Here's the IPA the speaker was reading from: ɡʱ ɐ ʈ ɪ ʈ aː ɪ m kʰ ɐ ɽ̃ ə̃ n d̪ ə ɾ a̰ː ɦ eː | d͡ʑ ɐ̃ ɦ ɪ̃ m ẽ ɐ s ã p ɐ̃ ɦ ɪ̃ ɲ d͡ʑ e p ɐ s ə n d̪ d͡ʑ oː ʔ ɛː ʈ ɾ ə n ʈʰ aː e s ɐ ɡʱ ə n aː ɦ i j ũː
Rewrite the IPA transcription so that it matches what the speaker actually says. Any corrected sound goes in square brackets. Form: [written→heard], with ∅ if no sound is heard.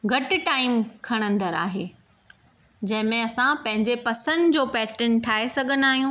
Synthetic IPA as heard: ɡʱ ɐ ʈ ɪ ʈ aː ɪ m kʰ ɐ ɽ̃ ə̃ n d̪ ə ɾ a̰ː ɦ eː | d͡ʑ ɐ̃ ɦ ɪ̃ m ẽ ɐ s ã p ɐ̃ ɦ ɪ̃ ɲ d͡ʑ e p ɐ s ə n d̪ d͡ʑ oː [ʔ→p] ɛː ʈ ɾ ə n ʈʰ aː e s ɐ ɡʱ ə n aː ɦ i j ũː